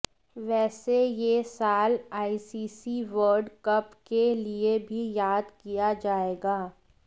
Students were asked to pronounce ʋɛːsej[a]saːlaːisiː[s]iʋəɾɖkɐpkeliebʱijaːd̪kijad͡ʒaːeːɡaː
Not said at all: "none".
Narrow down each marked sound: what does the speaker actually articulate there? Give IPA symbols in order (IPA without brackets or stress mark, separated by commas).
e, s